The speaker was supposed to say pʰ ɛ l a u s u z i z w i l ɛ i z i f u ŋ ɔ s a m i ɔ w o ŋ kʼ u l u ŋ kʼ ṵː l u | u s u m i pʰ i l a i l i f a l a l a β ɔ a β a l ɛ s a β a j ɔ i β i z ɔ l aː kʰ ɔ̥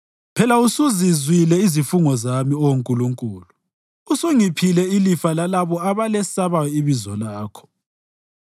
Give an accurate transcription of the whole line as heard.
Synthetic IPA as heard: pʰ ɛ l a u s u z i z w i l ɛ i z i f u ŋ ɔ z a m i ɔ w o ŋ kʼ u l u ŋ kʼ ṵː l u | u s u ŋ i pʰ i l ɛ i l i f a l a l a β ɔ a β a l ɛ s a β a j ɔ i β i z ɔ l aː kʰ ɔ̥